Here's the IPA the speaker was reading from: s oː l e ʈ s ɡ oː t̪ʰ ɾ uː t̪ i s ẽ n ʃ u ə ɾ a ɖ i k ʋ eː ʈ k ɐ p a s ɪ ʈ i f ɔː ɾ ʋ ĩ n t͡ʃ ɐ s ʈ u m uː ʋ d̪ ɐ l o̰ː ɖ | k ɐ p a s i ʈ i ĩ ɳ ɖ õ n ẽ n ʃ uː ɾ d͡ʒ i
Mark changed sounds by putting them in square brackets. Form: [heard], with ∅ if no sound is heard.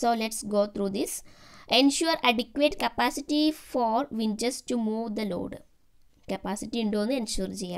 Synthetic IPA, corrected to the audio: s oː l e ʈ s ɡ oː t̪ʰ ɾ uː [d̪] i s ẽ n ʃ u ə ɾ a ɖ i k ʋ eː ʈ k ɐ p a s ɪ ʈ i f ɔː ɾ ʋ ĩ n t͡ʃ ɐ s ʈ u m uː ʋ d̪ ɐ l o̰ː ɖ | k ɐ p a s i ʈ i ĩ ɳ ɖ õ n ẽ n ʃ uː ɾ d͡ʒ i